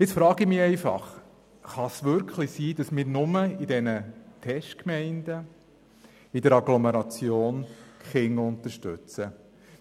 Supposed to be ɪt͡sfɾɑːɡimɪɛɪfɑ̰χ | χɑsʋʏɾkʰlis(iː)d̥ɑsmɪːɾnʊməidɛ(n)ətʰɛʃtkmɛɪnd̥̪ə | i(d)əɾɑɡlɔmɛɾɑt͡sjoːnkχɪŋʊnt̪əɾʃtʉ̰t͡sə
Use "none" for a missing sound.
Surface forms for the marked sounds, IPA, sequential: iː, n, d

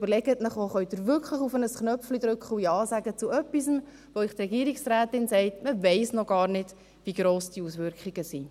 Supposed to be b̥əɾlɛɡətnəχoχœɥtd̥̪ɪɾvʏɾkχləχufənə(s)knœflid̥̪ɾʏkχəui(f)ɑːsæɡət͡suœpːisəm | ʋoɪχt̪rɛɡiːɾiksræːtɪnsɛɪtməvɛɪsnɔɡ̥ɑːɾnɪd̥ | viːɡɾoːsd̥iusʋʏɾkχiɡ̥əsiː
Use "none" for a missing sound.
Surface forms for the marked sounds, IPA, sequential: s, none

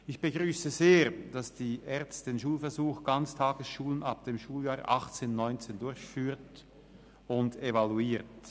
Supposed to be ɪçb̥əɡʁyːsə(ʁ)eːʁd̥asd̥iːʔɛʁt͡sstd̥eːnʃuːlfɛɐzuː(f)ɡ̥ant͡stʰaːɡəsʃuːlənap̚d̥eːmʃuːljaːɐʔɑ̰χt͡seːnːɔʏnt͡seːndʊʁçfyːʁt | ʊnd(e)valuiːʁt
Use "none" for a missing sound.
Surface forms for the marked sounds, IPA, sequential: z, x, e

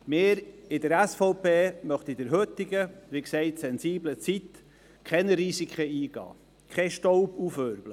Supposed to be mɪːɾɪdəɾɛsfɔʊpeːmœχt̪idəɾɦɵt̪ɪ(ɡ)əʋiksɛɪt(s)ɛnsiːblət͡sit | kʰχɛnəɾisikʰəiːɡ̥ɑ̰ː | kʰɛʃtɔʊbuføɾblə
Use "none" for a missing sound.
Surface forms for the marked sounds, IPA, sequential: ɡ, s

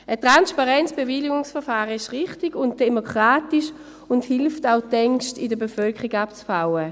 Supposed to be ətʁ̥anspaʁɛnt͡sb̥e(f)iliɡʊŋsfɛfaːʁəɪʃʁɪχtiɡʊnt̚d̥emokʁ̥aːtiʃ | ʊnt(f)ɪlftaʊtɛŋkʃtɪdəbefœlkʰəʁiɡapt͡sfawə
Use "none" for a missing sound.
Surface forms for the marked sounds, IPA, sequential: v, h

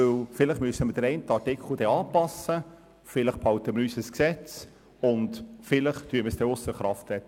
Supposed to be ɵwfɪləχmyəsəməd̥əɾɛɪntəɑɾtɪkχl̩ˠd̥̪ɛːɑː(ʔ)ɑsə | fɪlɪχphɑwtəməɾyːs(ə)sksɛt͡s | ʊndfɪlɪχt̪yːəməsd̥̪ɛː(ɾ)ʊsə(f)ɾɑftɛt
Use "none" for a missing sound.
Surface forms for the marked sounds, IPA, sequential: p, ə, none, χ

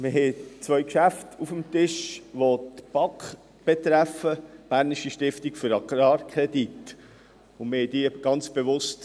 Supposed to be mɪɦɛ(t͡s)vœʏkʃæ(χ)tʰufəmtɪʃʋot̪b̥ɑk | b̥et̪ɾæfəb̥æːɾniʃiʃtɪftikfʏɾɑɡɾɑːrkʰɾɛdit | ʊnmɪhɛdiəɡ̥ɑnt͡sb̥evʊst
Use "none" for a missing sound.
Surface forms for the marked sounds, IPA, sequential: t͡s, f

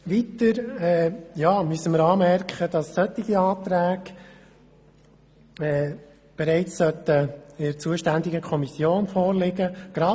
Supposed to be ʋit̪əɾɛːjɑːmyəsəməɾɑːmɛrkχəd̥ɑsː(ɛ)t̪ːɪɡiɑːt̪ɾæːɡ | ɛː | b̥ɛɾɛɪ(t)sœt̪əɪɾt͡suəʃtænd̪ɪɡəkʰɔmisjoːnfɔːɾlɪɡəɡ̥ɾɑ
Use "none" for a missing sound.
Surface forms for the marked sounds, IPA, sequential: œ, t͡s

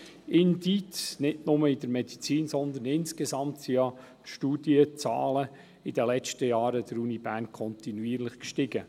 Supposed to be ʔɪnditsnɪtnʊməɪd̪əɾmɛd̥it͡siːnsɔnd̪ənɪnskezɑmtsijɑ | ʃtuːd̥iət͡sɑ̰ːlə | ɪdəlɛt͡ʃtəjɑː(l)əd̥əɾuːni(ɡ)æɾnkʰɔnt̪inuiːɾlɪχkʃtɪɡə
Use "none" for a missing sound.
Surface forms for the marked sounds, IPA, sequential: ɾ, b

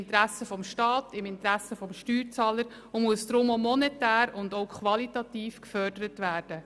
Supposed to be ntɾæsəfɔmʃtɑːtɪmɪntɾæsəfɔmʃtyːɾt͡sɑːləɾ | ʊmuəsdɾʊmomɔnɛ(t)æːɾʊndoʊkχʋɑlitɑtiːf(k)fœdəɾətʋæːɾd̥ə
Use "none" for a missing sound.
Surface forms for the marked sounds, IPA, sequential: t, k

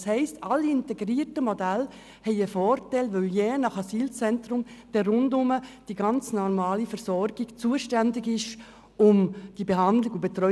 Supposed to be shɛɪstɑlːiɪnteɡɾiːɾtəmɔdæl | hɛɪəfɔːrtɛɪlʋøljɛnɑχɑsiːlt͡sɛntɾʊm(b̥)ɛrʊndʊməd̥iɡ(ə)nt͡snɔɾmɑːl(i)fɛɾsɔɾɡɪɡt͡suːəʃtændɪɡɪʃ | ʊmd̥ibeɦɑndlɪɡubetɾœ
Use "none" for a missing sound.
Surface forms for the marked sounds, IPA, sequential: d̥, ɑ, i

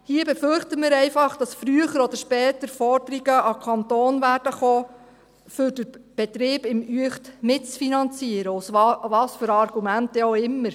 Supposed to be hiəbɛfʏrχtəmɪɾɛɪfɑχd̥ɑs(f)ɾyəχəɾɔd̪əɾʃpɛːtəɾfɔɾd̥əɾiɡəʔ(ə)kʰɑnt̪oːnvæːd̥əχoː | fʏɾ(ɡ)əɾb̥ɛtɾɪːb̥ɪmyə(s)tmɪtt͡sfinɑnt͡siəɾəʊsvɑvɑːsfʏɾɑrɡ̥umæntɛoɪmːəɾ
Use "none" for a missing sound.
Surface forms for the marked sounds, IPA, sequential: f, ɑ, d, χ

